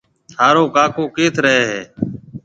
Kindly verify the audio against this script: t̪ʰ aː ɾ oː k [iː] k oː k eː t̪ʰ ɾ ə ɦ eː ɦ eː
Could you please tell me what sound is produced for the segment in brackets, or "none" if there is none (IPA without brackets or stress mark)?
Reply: aː